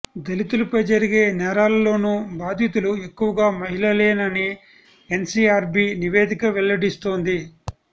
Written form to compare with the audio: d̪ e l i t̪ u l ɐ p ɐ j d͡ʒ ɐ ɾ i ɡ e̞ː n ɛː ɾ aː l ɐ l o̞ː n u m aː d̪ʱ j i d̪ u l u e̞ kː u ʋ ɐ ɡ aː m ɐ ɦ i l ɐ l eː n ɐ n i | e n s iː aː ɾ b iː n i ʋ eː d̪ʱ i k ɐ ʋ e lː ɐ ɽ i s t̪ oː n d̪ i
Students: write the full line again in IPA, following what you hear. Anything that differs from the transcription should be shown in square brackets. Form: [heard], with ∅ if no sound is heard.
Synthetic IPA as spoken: d̪ e l i t̪ u l ɐ p ɐ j d͡ʒ ɐ ɾ i ɡ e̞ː n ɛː ɾ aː l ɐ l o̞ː n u [b] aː d̪ʱ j i [t̪] u l u e̞ kː u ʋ ɐ ɡ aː m ɐ ɦ i l ɐ l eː n ɐ n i | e n s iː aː ɾ b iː n i ʋ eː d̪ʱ i k ɐ ʋ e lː ɐ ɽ i s t̪ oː n d̪ i